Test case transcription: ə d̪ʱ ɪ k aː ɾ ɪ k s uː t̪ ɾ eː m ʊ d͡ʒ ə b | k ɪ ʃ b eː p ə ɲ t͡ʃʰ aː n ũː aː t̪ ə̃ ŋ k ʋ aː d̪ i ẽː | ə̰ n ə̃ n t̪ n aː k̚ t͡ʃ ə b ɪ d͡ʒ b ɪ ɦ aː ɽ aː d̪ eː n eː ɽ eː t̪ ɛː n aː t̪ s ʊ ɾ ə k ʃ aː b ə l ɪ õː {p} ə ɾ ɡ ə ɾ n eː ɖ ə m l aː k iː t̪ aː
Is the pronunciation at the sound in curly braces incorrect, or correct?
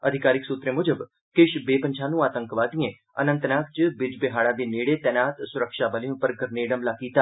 correct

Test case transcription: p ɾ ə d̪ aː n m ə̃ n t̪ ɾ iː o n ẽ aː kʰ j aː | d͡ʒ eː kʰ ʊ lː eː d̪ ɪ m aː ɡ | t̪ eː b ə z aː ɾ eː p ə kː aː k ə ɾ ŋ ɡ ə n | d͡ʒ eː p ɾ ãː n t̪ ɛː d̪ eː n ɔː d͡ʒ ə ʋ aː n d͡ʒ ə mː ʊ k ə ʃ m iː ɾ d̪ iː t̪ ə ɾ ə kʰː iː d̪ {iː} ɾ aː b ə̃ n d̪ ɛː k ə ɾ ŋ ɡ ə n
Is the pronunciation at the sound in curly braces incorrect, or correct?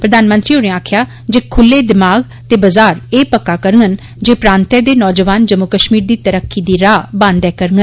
correct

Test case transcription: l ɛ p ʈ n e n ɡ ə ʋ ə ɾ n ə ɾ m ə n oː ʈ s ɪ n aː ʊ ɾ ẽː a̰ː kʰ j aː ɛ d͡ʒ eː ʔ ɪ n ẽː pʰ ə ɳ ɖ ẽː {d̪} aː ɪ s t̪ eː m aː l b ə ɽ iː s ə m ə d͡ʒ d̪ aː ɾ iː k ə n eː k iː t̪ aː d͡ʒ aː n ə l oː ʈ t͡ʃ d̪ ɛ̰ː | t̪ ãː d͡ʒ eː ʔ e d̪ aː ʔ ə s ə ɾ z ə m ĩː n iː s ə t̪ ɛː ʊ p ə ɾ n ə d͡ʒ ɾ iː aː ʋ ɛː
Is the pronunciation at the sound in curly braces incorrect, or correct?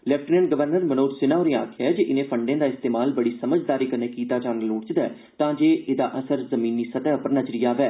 correct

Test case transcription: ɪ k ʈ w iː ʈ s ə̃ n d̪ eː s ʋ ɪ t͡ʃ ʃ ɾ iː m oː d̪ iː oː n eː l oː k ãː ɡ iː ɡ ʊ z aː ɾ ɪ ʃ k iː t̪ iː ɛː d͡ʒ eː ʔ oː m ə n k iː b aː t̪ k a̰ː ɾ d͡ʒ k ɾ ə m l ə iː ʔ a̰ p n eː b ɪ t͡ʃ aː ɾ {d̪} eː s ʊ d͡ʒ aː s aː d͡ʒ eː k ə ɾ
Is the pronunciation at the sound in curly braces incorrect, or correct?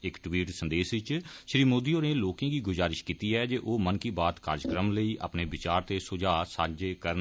incorrect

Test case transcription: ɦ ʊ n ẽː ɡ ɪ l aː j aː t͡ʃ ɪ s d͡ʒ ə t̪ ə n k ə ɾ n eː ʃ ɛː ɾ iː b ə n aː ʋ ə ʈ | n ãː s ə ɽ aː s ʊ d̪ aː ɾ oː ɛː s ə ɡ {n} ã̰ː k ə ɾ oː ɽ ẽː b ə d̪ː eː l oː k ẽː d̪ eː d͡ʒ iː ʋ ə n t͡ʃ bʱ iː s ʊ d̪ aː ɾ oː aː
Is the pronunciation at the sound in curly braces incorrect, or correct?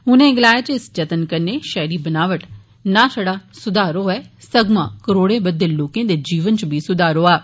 incorrect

